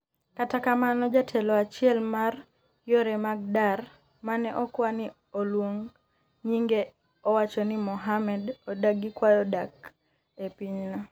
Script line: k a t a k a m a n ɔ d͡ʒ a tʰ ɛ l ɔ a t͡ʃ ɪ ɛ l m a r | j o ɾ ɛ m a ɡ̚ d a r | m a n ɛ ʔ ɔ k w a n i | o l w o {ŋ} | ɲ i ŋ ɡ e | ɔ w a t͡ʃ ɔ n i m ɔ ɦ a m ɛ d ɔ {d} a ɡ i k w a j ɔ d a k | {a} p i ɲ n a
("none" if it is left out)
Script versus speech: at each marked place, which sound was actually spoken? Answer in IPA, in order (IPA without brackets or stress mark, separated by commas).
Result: ŋ, d, e